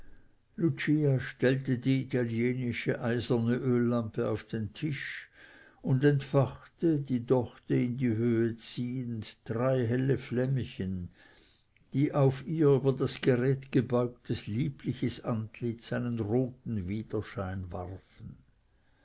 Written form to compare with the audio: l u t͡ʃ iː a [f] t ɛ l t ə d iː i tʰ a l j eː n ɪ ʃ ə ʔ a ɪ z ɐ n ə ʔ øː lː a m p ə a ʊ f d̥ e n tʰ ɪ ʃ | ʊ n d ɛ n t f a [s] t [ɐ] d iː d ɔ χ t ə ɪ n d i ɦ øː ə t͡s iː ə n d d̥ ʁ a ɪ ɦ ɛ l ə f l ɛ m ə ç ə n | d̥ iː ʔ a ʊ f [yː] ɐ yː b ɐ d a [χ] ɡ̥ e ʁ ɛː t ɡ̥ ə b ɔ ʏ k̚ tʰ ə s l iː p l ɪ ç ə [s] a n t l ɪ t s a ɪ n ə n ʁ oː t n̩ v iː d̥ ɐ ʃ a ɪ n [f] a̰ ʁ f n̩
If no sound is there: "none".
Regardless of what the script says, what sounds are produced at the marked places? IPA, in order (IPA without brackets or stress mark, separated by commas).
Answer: ʃ, χ, ə, iː, s, s, v